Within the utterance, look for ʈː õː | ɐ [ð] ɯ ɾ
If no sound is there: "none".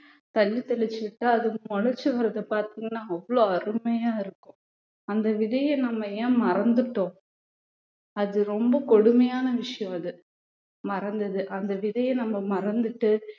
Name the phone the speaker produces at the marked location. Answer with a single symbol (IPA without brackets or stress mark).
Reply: ð